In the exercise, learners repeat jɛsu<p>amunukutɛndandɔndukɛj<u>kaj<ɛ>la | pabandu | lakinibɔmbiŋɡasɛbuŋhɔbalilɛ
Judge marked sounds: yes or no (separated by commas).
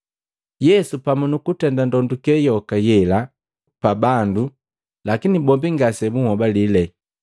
yes, no, yes